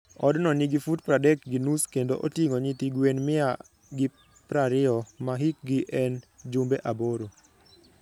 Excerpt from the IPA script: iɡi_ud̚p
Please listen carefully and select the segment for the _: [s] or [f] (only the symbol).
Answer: f